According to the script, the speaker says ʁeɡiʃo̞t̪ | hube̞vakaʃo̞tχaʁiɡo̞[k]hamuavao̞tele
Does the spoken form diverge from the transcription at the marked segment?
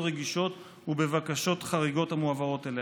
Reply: yes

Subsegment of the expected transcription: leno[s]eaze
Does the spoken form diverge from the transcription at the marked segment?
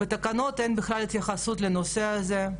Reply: no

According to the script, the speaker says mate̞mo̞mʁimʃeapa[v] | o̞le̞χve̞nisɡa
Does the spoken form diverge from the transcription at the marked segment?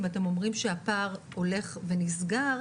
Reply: yes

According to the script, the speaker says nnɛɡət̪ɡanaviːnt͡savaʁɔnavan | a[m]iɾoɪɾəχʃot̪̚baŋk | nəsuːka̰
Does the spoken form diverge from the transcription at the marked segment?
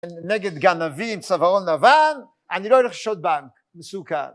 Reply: yes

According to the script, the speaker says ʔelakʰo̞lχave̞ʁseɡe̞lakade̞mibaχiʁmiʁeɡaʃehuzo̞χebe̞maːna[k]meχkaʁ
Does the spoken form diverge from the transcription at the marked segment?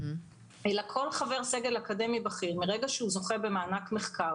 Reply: no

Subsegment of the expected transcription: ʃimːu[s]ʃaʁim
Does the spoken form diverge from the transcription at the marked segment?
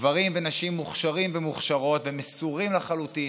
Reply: yes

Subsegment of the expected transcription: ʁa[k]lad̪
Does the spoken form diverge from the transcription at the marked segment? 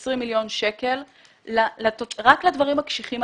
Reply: no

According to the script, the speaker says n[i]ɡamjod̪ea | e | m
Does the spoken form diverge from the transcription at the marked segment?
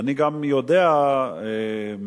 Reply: no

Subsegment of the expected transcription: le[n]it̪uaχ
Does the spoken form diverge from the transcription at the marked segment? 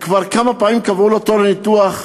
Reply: no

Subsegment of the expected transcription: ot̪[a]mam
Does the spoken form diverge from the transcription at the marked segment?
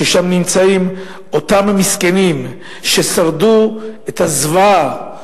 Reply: no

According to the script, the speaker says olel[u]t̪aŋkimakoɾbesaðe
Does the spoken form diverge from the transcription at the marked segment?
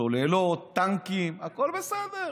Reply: yes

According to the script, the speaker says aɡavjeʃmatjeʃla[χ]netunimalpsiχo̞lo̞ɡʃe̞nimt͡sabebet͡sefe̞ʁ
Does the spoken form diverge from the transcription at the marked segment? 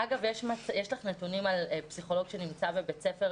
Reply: no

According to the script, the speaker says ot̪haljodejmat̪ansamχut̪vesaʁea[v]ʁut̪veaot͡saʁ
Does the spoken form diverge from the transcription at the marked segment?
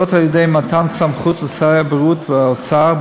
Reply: yes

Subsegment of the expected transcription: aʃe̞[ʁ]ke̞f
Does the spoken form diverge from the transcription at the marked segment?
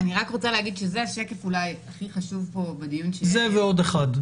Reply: yes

